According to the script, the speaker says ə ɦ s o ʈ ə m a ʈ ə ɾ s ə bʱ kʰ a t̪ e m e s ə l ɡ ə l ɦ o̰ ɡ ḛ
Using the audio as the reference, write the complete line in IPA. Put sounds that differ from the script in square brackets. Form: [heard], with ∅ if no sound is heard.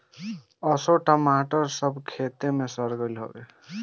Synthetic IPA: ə [∅] s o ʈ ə m a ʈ ə ɾ s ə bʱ kʰ [e] t̪ e m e s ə [ɾ] ɡ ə l ɦ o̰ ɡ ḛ